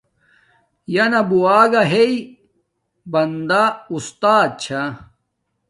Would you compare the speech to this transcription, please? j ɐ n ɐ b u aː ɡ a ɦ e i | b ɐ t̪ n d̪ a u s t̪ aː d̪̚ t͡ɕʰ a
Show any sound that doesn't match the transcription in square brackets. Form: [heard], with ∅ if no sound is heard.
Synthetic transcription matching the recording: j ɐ n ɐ b u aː ɡ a ɦ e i | b ɐ [∅] n d̪ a u s t̪ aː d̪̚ t͡ɕʰ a